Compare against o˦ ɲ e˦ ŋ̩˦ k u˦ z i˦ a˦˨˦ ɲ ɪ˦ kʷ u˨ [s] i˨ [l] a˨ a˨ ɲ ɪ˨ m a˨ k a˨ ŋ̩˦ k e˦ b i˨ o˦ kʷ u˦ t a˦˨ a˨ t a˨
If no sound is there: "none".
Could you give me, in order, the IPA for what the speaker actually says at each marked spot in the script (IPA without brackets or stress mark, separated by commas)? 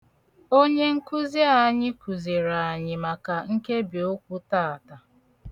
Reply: z, ɾ